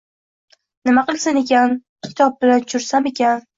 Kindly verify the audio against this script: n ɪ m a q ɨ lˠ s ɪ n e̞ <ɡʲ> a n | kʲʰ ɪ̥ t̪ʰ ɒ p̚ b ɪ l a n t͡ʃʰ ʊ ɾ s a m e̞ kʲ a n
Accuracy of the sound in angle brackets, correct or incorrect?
incorrect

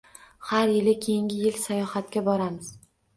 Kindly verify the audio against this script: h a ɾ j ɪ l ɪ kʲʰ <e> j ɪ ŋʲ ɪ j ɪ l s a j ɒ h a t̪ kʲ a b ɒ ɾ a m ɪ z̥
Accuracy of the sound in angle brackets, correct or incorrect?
correct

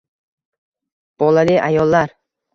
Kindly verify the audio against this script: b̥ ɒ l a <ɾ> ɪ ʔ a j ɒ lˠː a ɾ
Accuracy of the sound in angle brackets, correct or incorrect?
incorrect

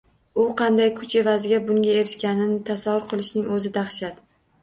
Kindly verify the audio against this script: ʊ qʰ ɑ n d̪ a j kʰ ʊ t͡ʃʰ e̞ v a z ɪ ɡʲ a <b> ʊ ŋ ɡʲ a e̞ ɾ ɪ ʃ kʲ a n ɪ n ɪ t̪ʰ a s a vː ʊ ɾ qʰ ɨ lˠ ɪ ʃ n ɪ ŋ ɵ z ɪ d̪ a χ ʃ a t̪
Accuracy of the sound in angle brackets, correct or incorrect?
correct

